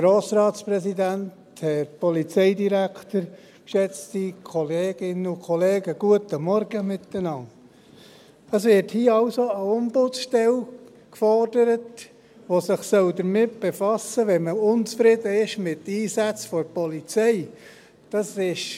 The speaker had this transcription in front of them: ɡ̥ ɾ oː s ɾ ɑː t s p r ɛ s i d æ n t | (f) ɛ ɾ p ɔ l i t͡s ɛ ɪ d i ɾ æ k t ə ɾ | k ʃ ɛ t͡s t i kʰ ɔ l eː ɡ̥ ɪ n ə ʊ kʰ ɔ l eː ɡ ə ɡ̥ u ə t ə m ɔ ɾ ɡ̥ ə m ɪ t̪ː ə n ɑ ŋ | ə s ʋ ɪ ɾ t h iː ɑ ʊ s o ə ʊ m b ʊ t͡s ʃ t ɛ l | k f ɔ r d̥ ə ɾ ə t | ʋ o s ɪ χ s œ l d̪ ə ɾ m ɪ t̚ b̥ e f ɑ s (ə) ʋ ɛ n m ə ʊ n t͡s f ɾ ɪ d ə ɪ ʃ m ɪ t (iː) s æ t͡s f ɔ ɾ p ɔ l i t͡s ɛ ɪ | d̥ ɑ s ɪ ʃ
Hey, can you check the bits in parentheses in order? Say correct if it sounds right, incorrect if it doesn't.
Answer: incorrect: h, correct, correct

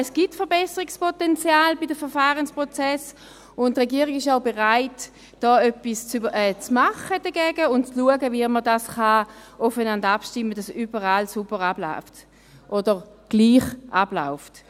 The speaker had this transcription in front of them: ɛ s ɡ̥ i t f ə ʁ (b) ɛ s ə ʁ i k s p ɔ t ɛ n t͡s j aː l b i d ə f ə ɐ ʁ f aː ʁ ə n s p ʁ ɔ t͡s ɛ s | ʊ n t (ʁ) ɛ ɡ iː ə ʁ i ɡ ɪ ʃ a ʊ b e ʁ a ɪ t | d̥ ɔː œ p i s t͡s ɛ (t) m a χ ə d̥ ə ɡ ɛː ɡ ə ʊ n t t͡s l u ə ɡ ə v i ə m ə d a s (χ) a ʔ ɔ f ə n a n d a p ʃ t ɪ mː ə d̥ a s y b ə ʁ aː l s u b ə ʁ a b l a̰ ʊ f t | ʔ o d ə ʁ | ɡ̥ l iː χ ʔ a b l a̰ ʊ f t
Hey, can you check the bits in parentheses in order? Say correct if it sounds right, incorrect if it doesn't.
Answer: correct, correct, incorrect: t͡s, correct

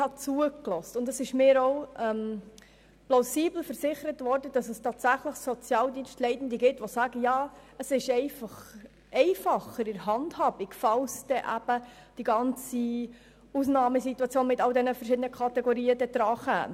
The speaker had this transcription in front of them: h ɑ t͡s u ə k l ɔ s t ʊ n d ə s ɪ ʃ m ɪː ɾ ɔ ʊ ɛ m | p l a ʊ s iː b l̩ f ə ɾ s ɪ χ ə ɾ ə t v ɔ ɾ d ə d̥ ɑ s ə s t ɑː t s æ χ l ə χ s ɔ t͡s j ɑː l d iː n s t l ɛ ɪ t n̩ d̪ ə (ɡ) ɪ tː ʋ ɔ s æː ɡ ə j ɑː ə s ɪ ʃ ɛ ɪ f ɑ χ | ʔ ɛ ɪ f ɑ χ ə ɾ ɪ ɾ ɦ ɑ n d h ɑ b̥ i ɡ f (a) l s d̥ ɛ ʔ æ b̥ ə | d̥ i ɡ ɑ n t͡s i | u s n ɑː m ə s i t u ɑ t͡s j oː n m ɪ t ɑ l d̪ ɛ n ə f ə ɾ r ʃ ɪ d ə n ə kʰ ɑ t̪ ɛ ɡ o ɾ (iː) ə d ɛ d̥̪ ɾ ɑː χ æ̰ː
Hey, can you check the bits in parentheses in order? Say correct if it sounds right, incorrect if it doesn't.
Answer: correct, incorrect: ɑ, correct

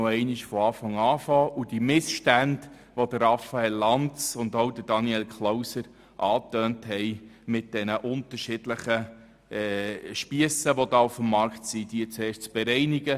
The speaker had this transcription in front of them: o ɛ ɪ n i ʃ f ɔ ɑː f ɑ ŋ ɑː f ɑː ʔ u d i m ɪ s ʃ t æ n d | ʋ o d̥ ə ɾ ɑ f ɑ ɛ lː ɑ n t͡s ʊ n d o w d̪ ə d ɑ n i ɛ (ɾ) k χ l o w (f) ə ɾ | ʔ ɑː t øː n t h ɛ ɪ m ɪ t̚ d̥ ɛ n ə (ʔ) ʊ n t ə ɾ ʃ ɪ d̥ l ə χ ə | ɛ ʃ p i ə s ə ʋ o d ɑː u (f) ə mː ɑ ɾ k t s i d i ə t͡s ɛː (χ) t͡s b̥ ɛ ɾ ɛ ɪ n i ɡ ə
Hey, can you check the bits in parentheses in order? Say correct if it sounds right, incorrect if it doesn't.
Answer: incorrect: l, incorrect: s, correct, correct, incorrect: ʃ

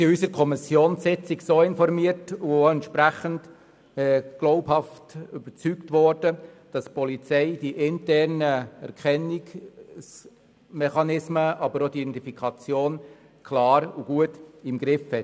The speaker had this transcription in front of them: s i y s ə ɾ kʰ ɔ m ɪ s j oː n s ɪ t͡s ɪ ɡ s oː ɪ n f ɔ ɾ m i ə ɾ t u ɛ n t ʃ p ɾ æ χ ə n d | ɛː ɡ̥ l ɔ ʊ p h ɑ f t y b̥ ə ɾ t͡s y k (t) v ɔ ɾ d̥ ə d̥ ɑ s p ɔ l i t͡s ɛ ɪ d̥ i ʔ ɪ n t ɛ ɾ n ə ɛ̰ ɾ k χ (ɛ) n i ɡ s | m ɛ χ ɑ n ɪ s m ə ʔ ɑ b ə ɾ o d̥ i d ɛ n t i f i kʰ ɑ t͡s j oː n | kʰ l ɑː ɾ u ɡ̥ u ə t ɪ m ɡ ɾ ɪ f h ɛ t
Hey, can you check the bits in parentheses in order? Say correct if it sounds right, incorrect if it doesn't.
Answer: correct, correct

